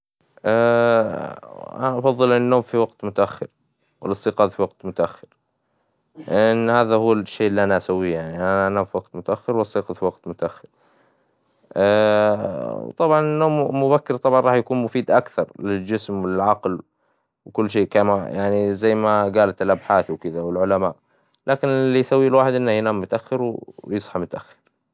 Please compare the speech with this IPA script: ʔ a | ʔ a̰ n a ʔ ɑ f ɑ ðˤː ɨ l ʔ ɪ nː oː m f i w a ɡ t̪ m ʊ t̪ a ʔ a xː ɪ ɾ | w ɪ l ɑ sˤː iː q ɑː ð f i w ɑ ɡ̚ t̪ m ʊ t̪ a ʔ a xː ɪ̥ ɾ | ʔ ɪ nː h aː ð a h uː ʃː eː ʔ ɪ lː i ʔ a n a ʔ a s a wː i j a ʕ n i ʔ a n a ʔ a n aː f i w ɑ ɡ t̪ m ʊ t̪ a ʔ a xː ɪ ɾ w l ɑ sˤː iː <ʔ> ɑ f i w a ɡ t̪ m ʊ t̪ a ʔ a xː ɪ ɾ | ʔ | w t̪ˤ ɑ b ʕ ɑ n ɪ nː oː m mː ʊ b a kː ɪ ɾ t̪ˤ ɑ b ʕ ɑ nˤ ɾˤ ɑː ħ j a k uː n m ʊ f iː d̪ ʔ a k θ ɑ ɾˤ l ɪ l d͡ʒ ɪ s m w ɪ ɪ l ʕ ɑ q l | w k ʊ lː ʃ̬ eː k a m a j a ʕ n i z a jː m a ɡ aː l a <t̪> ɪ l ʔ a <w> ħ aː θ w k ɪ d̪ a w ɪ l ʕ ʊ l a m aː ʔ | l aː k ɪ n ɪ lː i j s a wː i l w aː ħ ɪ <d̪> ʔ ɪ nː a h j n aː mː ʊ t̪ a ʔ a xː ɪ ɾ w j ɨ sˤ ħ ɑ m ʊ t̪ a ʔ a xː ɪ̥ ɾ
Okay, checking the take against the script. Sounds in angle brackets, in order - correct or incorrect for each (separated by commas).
incorrect, correct, incorrect, correct